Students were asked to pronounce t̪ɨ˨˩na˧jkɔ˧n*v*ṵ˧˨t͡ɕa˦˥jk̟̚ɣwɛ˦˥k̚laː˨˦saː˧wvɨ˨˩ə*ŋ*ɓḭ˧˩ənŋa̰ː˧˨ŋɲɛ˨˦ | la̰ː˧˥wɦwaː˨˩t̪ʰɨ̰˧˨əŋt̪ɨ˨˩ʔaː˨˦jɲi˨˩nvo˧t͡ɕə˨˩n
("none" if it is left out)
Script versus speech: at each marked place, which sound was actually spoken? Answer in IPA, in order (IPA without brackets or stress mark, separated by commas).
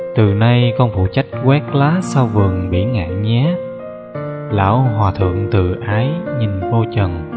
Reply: f, ŋ